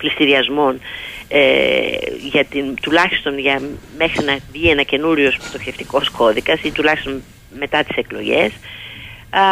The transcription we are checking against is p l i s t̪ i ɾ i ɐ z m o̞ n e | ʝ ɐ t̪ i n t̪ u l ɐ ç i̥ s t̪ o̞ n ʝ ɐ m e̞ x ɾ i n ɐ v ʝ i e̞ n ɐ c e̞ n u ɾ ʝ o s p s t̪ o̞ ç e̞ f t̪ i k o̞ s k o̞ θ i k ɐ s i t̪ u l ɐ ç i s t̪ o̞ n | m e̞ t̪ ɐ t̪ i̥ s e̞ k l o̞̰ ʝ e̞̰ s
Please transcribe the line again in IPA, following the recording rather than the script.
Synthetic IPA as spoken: p l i s t̪ i ɾ i ɐ z m o̞ n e | ʝ ɐ t̪ i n t̪ u l ɐ ç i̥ s t̪ o̞ n ʝ ɐ m e̞ x ɾ i n ɐ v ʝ i e̞ n ɐ c e̞ n u ɾ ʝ o s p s t̪ o̞ ç e̞ f t̪ i k o̞ s k o̞ ð i k ɐ s i t̪ u l ɐ ç i s t̪ o̞ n | m e̞ t̪ ɐ t̪ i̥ s e̞ k l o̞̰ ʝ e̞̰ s